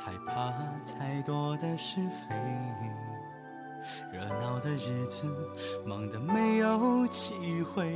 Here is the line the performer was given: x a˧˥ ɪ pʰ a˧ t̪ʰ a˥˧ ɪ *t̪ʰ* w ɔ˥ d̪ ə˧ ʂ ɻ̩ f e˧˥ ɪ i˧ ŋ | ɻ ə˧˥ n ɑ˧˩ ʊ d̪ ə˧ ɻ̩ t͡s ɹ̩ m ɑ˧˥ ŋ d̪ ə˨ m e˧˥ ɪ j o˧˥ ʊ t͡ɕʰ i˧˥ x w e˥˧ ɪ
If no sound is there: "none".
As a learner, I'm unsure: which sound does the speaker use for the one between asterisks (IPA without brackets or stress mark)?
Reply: t̪